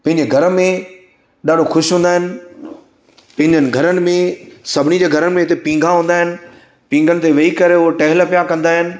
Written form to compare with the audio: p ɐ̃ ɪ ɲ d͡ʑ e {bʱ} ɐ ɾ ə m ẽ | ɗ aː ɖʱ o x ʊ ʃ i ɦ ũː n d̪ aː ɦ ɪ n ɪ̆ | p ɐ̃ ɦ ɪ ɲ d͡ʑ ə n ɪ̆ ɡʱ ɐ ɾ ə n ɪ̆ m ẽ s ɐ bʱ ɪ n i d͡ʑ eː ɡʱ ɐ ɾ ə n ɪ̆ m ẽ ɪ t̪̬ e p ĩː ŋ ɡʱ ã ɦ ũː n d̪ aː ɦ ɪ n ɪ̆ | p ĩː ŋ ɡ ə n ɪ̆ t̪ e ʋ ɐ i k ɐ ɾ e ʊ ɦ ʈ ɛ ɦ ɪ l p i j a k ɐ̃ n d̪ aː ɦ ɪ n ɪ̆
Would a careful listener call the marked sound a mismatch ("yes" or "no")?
yes